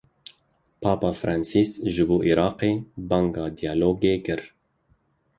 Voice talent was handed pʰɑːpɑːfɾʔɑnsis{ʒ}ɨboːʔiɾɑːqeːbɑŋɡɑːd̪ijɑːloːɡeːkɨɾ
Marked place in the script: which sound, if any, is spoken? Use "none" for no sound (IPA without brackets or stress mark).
ʒ